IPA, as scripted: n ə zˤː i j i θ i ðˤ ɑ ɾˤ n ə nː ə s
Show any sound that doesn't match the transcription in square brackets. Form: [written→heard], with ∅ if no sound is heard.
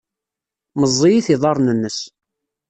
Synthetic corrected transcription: [n→m] ə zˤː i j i θ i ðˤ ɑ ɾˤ n ə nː ə s